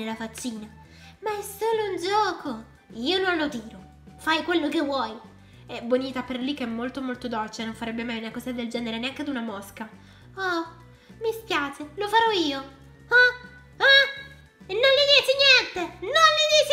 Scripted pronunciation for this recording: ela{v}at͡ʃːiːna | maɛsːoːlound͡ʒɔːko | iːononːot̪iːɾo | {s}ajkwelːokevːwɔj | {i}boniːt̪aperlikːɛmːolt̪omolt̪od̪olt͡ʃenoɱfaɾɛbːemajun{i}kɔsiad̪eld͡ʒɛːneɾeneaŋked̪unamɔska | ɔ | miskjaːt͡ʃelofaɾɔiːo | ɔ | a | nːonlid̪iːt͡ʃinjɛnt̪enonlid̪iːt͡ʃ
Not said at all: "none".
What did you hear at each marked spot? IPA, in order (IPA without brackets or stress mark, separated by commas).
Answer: f, f, ɛ, a